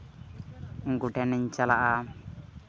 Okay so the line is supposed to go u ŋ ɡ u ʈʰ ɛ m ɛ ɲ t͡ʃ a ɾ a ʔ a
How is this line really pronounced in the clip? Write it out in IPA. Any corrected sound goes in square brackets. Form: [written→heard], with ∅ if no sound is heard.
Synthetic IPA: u ŋ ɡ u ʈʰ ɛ [m→n] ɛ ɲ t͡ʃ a [ɾ→l] a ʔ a